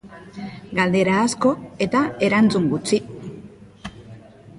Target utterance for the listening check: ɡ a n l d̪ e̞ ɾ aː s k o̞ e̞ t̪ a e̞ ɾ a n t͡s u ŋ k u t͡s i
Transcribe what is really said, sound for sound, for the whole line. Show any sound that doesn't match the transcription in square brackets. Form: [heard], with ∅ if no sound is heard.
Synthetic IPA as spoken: ɡ a [∅] l d̪ e̞ ɾ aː s k o̞ e̞ t̪ a e̞ ɾ a n t͡s u ŋ [ɡ] u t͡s i